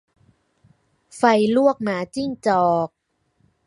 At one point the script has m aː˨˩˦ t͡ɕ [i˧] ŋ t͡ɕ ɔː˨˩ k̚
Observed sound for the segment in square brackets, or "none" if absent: i˥˩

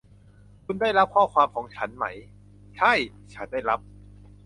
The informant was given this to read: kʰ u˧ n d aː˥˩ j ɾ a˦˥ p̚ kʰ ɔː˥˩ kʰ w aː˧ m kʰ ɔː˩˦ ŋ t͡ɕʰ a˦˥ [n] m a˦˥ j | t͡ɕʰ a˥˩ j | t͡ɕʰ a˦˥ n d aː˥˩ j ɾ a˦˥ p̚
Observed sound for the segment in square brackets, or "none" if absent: n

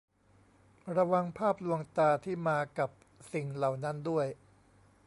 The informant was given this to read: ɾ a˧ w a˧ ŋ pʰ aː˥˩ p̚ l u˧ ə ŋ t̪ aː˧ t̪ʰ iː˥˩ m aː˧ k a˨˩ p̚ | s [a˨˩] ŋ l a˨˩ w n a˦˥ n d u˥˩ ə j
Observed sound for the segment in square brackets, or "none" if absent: i˨˩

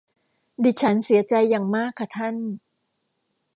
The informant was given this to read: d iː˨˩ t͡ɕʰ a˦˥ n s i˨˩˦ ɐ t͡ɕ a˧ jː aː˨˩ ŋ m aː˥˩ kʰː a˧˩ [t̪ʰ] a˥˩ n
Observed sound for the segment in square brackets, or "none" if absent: t̪ʰ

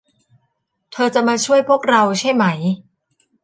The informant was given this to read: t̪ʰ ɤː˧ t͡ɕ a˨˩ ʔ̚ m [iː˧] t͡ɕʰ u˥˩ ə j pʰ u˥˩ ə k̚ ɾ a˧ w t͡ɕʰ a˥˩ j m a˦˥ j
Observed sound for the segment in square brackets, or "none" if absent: aː˧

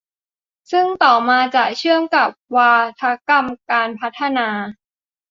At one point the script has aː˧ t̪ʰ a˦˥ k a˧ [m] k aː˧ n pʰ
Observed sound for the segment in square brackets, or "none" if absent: m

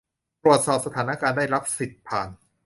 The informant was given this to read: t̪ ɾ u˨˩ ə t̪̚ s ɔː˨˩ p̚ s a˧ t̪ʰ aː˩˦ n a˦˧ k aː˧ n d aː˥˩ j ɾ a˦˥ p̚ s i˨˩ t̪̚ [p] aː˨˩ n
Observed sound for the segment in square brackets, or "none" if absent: pʰ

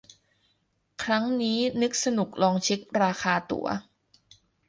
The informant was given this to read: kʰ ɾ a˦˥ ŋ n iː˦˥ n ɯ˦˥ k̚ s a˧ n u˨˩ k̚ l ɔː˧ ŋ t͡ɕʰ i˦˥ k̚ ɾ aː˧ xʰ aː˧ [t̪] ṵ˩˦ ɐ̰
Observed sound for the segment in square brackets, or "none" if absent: t̪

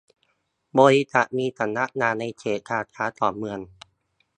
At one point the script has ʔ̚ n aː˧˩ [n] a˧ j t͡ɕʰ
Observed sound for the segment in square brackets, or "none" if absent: n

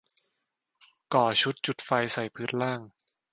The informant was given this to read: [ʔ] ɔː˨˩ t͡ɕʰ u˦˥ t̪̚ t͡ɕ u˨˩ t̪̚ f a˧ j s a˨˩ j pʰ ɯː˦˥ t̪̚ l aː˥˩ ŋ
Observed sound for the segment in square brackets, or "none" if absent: k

